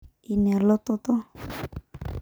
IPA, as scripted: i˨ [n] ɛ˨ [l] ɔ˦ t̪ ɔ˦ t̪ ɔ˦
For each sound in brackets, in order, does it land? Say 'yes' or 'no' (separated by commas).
yes, yes